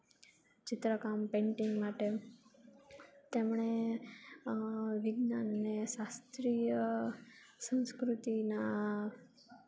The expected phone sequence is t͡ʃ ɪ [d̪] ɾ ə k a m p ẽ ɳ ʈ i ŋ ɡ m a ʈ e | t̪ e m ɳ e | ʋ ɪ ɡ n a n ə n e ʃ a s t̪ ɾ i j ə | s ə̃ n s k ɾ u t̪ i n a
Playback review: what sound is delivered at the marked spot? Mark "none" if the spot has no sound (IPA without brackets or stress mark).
t̪